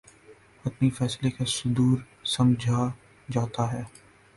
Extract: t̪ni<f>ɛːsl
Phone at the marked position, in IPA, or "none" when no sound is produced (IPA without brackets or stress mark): f